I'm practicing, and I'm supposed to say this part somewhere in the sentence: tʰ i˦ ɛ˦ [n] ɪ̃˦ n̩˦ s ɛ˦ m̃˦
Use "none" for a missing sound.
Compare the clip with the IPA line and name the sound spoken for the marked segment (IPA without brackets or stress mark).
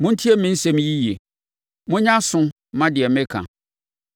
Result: m